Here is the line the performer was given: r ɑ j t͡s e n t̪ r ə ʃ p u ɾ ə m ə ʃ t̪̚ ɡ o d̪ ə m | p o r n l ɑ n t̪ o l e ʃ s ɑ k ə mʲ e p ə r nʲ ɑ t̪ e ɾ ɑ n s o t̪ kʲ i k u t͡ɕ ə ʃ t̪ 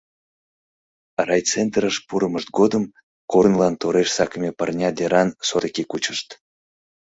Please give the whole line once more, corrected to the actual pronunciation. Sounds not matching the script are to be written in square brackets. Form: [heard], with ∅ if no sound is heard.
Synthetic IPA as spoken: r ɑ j t͡s e n t̪ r ə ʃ p u ɾ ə m ə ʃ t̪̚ ɡ o d̪ ə m | [k] o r n l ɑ n t̪ o [ɾ] e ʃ s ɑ k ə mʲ e p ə r nʲ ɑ [d̪] e ɾ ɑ n s o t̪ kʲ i k u t͡ɕ ə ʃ t̪